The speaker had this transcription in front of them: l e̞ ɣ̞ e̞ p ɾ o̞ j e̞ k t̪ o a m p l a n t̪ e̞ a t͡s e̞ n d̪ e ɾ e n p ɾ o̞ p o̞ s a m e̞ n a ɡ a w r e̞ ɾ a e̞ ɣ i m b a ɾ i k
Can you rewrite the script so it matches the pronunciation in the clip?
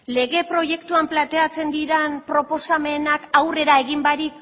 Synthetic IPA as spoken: l e̞ ɣ̞ e̞ p ɾ o̞ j e̞ k t̪ u a m p l a n t̪ e̞ a t͡s e̞ n d̪ i ɾ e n p ɾ o̞ p o̞ s a m e̞ n a k a w r e̞ ɾ a e̞ ɣ i m b a ɾ i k